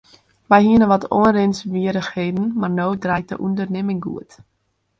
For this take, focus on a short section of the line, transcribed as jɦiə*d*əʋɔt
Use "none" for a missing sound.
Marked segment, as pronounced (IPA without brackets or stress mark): n